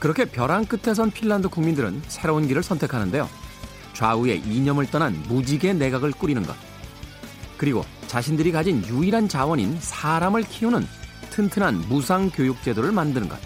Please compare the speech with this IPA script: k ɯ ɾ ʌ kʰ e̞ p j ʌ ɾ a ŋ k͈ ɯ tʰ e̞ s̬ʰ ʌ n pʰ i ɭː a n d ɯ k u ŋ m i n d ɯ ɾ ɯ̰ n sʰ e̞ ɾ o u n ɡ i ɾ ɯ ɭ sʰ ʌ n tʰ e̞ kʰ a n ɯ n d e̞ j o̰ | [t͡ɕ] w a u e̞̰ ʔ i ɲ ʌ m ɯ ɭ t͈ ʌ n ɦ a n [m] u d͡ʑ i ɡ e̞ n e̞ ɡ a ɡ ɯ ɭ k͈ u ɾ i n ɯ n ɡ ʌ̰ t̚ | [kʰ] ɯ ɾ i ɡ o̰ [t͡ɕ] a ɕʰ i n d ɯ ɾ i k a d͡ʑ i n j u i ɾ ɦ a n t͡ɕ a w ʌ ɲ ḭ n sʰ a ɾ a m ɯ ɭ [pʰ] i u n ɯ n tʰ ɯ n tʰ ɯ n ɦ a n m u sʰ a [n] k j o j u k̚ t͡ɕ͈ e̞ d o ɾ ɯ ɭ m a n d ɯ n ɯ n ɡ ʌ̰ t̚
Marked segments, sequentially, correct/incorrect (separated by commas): correct, correct, incorrect, correct, incorrect, incorrect